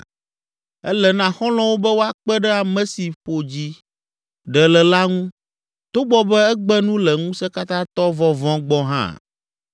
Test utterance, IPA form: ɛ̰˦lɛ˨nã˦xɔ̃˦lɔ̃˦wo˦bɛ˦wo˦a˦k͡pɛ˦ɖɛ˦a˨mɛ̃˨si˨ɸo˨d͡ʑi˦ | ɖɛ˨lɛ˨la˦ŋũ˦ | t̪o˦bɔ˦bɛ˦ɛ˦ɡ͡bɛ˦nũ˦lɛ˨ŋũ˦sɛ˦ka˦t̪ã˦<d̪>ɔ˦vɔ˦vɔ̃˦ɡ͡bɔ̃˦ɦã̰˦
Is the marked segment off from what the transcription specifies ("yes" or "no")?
yes